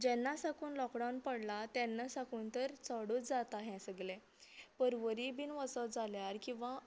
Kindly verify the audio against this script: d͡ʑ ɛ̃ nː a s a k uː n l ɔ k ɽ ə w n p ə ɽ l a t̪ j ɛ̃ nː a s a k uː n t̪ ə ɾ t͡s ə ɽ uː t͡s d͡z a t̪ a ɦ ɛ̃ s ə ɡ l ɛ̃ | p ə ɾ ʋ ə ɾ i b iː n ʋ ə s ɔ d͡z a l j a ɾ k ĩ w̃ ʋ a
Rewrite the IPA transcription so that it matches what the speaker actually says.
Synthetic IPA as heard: d͡ʑ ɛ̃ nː a s a k uː n l ɔ k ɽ a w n p ə ɽ l a t̪ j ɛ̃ nː a s a k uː n t̪ ə ɾ t͡s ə ɽ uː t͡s d͡z a t̪ a ɦ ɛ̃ s ə ɡ l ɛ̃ | p ə ɾ ʋ ə ɾ i b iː n ʋ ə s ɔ d͡z a l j a ɾ k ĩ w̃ ʋ a